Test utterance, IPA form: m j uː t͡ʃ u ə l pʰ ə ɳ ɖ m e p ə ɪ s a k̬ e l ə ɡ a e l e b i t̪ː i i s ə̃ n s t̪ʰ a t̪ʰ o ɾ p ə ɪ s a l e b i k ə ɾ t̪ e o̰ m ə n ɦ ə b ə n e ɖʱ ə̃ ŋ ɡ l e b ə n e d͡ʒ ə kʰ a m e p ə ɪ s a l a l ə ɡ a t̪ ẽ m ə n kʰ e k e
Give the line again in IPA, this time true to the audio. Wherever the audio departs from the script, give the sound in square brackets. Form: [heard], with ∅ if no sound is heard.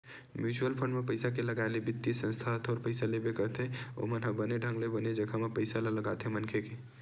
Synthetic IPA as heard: m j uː t͡ʃ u ə l pʰ ə ɳ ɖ m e p ə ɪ s a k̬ e l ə ɡ a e l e b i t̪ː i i s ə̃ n s t̪ʰ a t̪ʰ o ɾ p ə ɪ s a l e b [e] k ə ɾ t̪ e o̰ m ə n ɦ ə b ə n e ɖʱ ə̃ ŋ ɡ l e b ə n e d͡ʒ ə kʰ a m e p ə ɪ s a l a l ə ɡ a t̪ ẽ m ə n kʰ e k e